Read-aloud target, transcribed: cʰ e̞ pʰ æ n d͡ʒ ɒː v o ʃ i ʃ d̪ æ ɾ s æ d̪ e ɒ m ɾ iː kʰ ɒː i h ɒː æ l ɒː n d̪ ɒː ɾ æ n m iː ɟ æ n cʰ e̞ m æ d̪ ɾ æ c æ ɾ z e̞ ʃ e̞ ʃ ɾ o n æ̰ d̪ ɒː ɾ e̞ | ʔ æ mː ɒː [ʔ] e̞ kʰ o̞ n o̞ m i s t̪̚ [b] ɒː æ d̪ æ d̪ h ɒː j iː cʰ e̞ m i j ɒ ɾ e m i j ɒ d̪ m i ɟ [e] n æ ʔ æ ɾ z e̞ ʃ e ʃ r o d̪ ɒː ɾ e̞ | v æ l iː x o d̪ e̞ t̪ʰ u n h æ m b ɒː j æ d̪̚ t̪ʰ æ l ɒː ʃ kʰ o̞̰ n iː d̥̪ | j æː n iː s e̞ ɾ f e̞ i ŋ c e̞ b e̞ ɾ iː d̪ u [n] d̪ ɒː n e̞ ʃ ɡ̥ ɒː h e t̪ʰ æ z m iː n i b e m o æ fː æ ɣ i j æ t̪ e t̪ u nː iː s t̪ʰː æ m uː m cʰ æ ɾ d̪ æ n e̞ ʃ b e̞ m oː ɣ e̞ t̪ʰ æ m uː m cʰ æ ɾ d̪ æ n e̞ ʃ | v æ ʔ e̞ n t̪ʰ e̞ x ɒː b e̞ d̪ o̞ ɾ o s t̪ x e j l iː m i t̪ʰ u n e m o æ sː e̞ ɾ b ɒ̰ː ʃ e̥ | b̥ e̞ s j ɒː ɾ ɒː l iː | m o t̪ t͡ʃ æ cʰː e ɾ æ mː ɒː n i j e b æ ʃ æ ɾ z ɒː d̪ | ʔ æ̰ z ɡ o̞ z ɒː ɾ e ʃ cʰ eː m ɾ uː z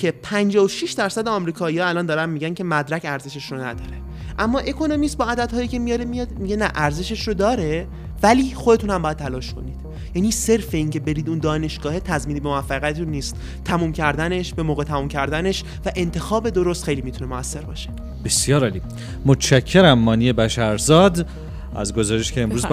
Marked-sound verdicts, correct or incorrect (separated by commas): correct, correct, correct, correct